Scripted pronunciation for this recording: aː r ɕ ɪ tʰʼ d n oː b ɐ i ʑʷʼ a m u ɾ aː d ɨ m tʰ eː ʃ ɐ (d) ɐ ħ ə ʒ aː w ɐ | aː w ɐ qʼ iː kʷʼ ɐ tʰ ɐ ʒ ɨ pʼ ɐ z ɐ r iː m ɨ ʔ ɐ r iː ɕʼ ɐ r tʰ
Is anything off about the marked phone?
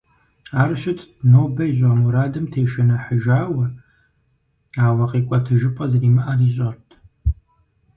yes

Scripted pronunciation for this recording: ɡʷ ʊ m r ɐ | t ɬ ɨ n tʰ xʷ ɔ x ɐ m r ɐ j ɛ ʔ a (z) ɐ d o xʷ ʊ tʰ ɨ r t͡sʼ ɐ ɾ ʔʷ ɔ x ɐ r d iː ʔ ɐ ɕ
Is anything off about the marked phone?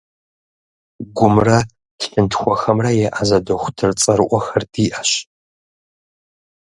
no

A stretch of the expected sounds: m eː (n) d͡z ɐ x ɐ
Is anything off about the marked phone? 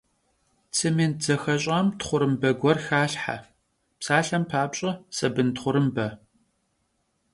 no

